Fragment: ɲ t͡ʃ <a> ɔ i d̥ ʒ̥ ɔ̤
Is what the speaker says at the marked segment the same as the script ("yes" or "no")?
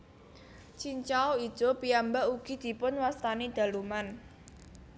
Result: yes